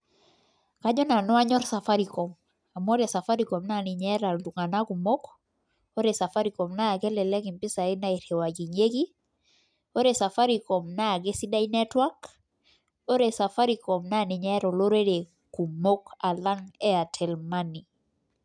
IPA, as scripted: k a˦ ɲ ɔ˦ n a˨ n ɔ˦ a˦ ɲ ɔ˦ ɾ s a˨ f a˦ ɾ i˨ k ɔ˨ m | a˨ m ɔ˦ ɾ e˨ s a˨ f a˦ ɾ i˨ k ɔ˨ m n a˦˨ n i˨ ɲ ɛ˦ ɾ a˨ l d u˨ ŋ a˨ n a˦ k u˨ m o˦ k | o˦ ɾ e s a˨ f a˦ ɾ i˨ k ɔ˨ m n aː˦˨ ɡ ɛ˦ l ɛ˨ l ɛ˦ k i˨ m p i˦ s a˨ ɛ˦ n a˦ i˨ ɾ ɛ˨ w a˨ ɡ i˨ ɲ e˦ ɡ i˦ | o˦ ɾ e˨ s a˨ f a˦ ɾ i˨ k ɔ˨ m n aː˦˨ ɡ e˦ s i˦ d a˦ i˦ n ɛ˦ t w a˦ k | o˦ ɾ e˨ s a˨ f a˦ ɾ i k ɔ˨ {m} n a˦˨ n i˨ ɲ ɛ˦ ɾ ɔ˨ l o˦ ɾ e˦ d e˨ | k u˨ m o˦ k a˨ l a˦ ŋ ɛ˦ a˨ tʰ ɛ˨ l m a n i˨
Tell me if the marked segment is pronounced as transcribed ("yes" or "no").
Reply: yes